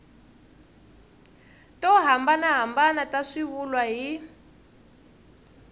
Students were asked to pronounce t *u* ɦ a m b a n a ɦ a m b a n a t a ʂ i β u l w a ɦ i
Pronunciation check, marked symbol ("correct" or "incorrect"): incorrect